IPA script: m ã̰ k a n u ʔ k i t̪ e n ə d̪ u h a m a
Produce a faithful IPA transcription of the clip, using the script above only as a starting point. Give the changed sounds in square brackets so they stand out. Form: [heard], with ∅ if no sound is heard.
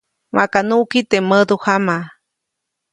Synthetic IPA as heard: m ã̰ k a n u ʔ k i t̪ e [m] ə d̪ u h a m a